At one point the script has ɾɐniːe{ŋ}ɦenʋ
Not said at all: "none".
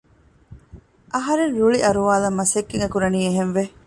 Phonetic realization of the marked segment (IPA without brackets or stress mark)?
none